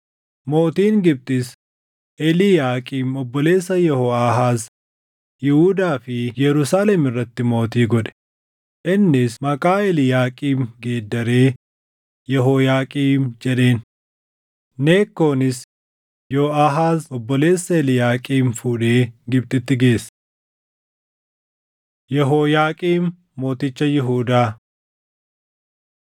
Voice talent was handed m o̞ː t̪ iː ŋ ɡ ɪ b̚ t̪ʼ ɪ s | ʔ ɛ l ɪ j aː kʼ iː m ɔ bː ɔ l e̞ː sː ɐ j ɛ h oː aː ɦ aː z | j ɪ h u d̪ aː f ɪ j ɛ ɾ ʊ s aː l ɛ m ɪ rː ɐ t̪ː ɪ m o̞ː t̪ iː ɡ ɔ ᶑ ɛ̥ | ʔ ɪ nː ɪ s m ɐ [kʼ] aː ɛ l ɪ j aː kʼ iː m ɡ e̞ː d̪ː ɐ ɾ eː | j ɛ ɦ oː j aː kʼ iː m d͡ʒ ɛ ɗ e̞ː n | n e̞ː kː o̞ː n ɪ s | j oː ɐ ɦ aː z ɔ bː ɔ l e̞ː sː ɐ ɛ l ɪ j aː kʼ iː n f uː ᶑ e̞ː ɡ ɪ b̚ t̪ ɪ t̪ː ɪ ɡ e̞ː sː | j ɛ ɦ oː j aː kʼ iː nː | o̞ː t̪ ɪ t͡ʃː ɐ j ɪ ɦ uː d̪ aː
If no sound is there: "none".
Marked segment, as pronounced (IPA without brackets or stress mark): kʼ